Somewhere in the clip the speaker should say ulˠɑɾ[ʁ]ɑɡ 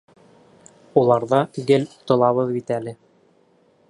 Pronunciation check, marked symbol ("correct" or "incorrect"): incorrect